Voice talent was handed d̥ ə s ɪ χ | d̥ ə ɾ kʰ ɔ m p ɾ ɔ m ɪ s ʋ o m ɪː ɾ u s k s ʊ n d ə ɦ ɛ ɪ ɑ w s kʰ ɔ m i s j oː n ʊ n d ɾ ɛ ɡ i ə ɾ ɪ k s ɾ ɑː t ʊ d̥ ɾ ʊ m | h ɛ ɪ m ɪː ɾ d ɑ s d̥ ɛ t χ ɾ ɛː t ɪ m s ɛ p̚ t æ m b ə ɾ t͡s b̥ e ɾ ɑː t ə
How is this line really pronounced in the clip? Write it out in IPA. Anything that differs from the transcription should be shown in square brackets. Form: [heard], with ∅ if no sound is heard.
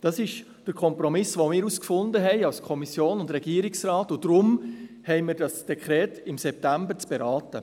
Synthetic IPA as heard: d̥ [ɑ] s ɪ [ʃ] | d̥ ə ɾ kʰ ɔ m p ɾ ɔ m ɪ s ʋ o m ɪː ɾ u s k [f] ʊ n d ə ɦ ɛ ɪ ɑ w s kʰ ɔ m i s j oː n ʊ n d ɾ ɛ ɡ i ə ɾ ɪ k s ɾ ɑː t ʊ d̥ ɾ ʊ m | h ɛ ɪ m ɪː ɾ d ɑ s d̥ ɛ [k] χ ɾ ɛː t ɪ m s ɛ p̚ t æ m b ə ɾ t͡s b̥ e ɾ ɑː t ə

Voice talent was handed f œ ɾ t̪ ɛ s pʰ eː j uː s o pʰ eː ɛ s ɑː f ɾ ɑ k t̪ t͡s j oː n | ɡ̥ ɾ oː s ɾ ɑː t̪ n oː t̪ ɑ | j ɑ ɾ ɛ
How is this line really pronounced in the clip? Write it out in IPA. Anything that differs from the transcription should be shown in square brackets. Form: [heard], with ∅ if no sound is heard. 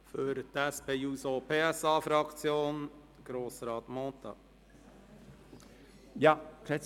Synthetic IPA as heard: f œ ɾ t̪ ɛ s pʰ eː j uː s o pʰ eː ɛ s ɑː f ɾ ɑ k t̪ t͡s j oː n | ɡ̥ ɾ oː s ɾ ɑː t̪ [m] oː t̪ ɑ | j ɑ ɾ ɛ

